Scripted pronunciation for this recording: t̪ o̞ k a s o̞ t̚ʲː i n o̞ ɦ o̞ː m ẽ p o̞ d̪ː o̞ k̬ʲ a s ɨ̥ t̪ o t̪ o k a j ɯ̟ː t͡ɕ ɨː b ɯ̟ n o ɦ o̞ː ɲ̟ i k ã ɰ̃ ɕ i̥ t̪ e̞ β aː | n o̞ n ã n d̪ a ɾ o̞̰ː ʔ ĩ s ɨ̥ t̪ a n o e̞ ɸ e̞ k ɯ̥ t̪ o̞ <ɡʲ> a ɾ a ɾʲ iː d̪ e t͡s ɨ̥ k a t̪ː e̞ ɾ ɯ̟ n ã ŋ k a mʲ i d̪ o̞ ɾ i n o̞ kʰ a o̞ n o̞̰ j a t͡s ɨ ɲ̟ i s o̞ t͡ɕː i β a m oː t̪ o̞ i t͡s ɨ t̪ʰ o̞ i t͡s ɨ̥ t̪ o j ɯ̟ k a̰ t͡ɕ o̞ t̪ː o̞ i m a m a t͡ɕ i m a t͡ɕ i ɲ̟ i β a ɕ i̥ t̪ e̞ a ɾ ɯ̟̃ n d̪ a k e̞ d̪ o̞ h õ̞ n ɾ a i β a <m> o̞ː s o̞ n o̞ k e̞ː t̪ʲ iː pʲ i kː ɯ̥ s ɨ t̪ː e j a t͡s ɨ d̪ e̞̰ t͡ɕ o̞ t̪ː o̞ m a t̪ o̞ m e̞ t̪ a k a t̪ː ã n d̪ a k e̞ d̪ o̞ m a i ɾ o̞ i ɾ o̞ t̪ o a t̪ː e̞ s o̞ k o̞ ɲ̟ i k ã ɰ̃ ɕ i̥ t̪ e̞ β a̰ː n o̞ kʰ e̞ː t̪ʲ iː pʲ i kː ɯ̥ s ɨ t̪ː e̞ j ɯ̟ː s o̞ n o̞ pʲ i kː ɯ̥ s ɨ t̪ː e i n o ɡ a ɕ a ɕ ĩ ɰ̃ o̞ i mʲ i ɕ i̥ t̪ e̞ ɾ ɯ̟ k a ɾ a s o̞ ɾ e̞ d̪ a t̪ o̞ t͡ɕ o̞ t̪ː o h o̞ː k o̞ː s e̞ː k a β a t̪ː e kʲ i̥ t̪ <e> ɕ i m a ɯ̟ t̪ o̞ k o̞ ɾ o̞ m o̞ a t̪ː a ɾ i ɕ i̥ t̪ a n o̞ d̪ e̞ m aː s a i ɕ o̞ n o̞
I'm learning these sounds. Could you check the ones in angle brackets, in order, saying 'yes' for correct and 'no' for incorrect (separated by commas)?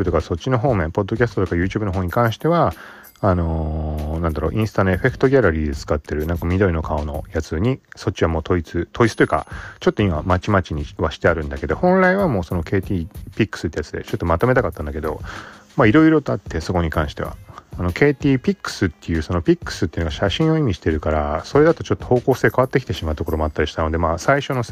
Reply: yes, yes, yes